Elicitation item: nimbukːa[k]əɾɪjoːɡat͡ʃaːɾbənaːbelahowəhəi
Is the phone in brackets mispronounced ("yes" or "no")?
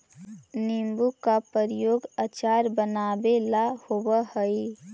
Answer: yes